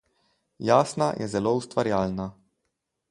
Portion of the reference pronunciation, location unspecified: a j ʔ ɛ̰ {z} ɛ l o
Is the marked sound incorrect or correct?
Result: correct